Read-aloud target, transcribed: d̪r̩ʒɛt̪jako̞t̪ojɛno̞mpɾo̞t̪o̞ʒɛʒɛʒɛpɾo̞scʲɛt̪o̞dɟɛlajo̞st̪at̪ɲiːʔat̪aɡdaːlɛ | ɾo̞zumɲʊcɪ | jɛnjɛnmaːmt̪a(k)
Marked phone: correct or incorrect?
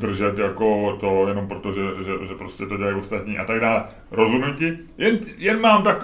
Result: correct